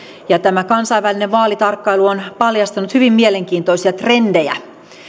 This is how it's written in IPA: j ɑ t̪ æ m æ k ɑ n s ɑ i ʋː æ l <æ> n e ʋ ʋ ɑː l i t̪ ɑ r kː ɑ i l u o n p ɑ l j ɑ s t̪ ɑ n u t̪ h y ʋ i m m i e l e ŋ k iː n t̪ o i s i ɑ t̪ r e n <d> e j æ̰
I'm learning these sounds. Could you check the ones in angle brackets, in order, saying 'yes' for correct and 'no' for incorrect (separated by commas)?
no, yes